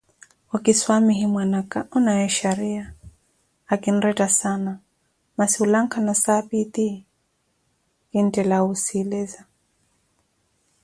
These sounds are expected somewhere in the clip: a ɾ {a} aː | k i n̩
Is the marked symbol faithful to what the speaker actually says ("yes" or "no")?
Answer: no